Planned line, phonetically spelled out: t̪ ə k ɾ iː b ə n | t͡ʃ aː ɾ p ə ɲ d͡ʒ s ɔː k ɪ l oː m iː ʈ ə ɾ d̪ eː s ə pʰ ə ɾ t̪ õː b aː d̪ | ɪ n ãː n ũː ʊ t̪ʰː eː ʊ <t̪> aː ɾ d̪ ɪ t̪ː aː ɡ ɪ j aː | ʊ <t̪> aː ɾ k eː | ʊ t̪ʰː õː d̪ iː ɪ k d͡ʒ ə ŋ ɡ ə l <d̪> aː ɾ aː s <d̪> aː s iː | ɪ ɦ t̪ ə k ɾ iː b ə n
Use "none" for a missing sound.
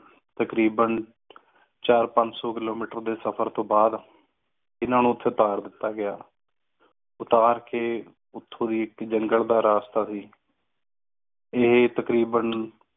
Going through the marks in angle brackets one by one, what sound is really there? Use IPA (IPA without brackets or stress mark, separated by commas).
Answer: t̪, t̪, d̪, t̪